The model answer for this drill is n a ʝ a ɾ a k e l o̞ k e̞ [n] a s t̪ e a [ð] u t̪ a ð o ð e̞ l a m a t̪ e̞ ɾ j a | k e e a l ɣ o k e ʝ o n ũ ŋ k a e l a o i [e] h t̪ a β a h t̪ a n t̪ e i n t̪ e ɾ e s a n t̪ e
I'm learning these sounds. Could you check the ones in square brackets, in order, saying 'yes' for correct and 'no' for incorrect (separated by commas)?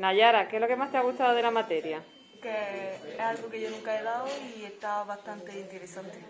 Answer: no, no, yes